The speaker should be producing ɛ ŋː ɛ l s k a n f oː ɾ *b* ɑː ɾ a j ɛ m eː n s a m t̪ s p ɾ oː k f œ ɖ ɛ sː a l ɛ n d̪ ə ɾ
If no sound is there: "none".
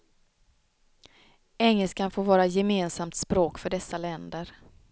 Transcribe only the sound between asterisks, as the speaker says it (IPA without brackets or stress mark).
v